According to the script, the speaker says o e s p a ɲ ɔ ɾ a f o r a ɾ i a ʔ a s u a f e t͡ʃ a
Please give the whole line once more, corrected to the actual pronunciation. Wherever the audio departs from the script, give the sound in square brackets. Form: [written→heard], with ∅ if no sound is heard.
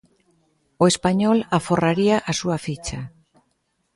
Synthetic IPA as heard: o e s p a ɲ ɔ [ɾ→l] a f o r a ɾ i a ʔ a s u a f [e→i] t͡ʃ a